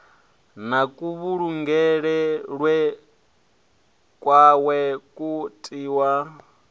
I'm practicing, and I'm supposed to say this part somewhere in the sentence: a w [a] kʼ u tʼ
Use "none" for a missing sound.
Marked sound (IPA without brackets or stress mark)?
ɛ